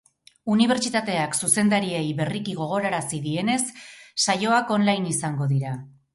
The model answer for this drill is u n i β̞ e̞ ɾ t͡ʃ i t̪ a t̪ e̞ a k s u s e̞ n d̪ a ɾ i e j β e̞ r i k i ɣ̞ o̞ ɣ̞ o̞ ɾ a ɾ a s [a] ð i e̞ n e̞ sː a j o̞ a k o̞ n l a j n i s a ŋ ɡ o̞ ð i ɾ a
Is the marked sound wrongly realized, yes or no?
yes